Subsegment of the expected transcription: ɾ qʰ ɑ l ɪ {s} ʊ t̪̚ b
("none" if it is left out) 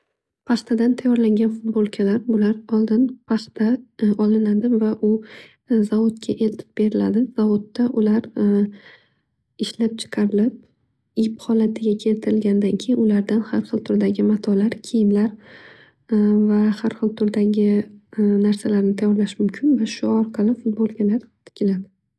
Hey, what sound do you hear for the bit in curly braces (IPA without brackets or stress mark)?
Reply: f